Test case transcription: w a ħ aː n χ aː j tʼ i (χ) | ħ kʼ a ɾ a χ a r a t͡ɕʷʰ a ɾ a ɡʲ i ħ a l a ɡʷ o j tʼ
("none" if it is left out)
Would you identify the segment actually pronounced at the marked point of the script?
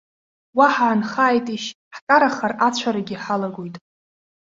ʃ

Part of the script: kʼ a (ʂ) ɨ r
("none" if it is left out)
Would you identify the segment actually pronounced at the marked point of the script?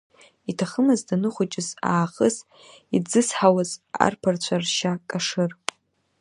ʂ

